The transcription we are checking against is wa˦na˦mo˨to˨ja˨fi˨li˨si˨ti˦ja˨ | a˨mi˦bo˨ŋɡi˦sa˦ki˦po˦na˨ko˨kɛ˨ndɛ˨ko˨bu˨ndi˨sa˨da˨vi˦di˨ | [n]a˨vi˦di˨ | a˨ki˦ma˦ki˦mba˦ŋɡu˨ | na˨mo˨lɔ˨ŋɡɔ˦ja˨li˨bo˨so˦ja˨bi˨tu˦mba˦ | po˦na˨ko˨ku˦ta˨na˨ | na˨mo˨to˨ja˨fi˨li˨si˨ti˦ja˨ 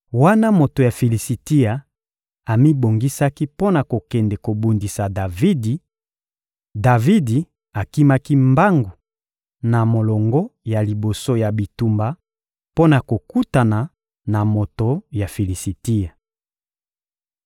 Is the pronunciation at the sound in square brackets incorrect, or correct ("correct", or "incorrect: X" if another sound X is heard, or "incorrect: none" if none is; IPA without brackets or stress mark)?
incorrect: d